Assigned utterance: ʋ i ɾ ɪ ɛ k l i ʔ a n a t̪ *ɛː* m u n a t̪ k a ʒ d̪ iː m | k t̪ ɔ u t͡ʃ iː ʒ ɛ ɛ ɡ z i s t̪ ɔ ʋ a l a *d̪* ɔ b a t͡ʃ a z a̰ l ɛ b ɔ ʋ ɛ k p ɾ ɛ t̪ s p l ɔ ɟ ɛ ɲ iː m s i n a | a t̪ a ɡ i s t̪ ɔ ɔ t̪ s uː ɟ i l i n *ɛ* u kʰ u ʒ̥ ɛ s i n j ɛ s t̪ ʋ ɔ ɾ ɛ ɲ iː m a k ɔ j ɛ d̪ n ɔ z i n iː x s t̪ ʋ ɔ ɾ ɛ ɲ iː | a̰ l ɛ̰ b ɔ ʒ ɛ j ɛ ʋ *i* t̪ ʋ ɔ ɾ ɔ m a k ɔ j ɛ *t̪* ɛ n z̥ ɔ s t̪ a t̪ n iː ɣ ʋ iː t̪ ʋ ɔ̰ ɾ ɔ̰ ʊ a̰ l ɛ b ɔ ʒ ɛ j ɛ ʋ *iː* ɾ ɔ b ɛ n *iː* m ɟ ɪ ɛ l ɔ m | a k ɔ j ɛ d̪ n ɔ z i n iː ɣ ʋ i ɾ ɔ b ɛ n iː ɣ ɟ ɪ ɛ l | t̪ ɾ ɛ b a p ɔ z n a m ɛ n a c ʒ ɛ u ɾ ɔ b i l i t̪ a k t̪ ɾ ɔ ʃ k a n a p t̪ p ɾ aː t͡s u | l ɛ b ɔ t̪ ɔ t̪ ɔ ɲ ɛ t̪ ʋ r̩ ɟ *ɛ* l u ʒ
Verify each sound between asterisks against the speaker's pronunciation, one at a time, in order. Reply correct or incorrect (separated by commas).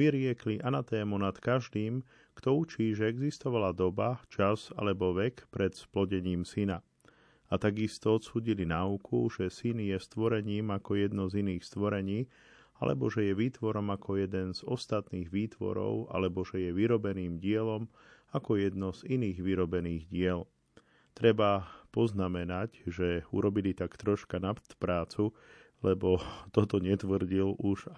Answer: correct, correct, incorrect, incorrect, incorrect, incorrect, correct, incorrect